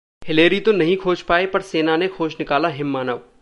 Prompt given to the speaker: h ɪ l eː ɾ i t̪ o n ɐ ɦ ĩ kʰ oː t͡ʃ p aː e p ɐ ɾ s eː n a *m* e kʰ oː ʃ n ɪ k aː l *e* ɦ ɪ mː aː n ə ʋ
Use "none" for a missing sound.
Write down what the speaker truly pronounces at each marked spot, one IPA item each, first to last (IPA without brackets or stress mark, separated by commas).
n, a